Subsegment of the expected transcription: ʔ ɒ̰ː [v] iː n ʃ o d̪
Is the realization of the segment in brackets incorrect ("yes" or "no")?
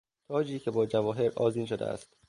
yes